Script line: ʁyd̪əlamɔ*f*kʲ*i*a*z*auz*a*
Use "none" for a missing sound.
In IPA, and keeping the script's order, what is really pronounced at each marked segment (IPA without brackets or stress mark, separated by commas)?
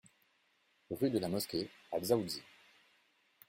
s, e, z, i